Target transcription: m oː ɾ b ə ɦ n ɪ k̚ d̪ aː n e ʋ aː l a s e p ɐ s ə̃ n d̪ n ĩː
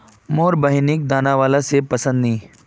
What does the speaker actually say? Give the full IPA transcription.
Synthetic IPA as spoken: m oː ɾ b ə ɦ n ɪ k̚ d̪ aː n a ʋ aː l a s e p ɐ s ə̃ n d̪ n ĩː